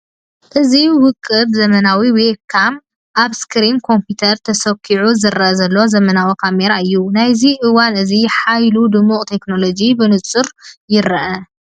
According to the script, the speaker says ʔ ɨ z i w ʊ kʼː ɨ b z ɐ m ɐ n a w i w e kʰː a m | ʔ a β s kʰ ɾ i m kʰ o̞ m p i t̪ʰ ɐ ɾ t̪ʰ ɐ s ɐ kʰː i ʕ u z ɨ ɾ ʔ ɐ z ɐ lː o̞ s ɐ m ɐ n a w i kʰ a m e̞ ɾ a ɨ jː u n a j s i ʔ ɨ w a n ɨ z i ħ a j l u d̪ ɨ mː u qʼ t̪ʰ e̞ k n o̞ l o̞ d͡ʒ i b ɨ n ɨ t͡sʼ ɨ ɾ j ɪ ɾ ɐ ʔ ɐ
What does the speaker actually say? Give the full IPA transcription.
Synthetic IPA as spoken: ʔ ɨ z i w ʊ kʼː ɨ b z ɐ m ɐ n a w i w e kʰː a m | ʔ a β s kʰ ɾ i m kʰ o̞ m p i t̪ʰ ɐ ɾ t̪ʰ ɐ s ɐ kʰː i ʕ u z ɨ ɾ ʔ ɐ z ɐ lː o̞ z ɐ m ɐ n a w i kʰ a m e̞ ɾ a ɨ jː u n a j z i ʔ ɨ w a n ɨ z i ħ a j l u d̪ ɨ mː u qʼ t̪ʰ e̞ k n o̞ l o̞ d͡ʒ i b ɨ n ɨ t͡sʼ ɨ ɾ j ɪ ɾ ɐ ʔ ɐ